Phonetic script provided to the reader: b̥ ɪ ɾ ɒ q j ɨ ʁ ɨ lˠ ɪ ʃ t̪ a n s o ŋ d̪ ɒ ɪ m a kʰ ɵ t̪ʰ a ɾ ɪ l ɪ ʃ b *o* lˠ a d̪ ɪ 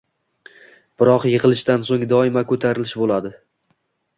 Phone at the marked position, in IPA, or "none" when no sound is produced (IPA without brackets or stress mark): o